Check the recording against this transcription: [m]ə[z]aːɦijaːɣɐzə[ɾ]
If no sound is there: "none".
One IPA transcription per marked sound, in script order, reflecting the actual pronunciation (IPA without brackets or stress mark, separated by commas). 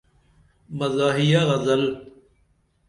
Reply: m, z, l